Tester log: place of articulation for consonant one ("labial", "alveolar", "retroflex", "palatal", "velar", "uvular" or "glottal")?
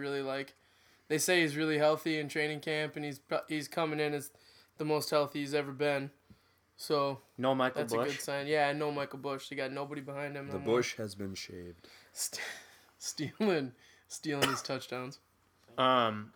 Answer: alveolar